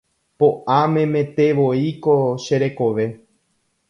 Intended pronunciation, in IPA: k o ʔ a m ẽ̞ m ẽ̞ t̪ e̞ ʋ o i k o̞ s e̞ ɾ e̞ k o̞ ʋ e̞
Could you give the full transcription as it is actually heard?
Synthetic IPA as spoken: p o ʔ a m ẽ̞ m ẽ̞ t̪ e̞ ʋ o i k o̞ ʃ e̞ ɾ e̞ k o̞ ʋ e̞

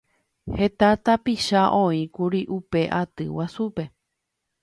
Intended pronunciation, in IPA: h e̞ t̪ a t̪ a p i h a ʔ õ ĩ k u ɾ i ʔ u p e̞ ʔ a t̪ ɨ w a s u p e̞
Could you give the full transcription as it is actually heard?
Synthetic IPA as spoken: h e̞ t̪ a t̪ a p i ʃ a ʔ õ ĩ k u ɾ i ʔ u p e̞ ʔ a t̪ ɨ w a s u p e̞

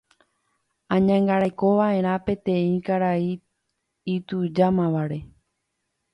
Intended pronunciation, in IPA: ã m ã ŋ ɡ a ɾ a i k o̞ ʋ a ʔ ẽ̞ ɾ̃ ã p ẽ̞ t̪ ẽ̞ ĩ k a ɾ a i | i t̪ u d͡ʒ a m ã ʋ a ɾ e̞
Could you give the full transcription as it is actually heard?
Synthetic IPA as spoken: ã ɲ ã ŋ ɡ a ɾ a j k o̞ ʋ a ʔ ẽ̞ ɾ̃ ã p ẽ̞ t̪ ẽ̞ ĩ k a ɾ a i | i t̪ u d͡ʒ a m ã ʋ a ɾ e̞

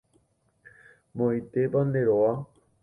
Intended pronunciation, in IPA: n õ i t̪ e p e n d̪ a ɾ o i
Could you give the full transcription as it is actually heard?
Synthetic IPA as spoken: m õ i t̪ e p a n d̪ e ɾ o a

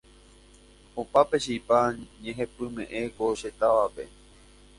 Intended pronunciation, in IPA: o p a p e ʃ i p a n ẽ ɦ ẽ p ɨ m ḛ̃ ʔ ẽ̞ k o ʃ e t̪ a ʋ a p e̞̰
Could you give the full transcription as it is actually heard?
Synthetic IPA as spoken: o p a p e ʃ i p a ɲ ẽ ɦ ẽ p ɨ m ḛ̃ ʔ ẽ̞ k o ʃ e t̪ a ʋ a p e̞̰

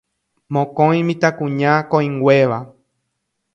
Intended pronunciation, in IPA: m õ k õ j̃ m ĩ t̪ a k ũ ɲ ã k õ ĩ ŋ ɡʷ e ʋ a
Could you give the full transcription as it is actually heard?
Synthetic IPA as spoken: m õ k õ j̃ m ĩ t̪ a k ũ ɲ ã k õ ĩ ŋ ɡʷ e ʋ a

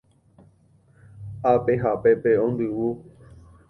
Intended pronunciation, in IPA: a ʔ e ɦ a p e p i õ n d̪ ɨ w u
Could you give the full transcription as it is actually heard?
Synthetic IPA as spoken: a p e ɦ a p e p e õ n d̪ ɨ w u

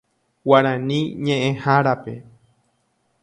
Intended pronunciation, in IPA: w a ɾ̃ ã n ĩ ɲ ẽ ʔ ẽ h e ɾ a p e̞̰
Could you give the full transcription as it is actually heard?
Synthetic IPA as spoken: w a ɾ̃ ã n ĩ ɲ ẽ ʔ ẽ h a ɾ a p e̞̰

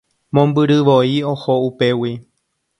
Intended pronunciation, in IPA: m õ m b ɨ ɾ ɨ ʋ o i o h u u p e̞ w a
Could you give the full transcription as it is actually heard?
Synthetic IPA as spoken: m õ m b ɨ ɾ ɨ ʋ o i o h o u p e̞ w i

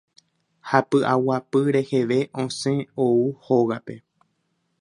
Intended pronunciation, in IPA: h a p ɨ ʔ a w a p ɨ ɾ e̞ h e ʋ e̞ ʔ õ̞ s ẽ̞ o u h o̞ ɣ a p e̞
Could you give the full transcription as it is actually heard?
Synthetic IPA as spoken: h a p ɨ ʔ a w a p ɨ ɾ e̞ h e ʋ e̞ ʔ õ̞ s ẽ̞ o u h o̞ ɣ a p e̞

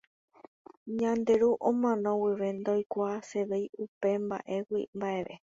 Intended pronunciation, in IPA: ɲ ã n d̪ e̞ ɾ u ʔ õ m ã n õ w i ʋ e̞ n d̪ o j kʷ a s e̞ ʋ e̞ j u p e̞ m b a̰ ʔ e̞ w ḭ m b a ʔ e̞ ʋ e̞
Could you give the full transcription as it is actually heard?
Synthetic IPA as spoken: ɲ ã n d̪ e̞ ɾ u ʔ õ m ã n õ w i ʋ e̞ n d̪ o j kʷ a s e̞ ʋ e̞ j u p e̞ m b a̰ ʔ e̞ w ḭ m b a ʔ e̞ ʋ e̞

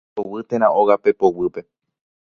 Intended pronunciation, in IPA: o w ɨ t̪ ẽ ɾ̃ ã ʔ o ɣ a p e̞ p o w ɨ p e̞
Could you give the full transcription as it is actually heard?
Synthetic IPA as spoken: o w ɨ t̪ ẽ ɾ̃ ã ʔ o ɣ a p e̞ p o w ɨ p e̞

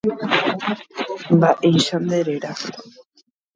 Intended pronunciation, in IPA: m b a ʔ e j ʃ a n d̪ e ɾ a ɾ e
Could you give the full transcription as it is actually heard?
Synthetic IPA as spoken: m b a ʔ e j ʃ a n d̪ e ɾ e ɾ a

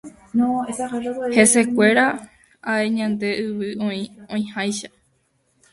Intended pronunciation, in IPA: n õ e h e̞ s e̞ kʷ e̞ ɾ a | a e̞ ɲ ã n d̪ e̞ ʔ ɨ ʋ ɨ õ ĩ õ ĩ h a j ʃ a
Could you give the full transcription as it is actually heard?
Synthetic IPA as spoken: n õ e h e̞ s e̞ kʷ e̞ ɾ a | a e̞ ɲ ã n d̪ e̞ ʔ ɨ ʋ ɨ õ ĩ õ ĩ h a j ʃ a

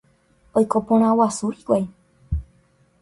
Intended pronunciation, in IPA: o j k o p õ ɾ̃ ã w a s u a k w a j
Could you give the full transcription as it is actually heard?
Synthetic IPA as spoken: o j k o p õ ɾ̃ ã w a s u i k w a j

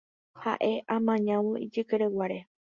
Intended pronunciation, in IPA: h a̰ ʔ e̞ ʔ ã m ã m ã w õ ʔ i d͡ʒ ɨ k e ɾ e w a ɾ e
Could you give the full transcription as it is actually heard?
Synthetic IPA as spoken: h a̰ ʔ e̞ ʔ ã m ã ɲ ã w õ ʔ i d͡ʒ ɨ k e ɾ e w a ɾ e

